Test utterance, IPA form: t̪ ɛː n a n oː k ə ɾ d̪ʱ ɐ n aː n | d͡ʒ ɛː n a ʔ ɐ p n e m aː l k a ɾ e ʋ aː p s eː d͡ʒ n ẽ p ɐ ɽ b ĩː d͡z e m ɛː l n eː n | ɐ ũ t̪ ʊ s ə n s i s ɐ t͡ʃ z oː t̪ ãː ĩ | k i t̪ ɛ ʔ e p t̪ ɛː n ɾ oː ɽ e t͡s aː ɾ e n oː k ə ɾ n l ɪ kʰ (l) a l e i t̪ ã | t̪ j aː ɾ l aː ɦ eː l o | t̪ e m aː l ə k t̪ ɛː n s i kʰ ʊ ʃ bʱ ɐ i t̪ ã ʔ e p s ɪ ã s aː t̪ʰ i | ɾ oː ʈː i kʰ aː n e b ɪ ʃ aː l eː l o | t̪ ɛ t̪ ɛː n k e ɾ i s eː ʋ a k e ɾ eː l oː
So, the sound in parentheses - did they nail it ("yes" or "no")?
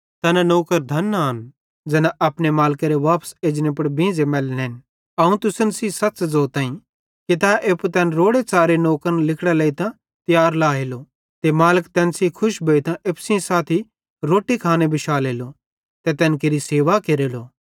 no